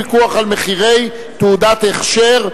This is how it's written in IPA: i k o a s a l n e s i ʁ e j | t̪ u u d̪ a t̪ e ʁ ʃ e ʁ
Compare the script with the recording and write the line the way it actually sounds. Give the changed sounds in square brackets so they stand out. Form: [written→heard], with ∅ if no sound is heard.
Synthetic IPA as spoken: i k [o→u] a [s→χ] a l [n→m] e [s→χ] i ʁ e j | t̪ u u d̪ a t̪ e [ʁ→χ] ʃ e ʁ